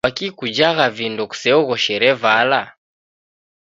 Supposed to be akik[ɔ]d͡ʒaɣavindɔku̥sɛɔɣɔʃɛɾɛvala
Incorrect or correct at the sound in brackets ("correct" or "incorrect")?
incorrect